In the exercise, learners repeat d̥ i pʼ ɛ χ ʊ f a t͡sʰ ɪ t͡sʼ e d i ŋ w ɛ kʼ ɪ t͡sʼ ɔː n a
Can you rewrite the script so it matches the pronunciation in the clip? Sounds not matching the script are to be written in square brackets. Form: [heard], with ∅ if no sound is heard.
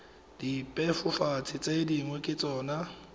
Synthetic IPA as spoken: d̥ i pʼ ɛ [f] ʊ f a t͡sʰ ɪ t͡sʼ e d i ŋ w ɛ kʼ ɪ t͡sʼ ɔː n a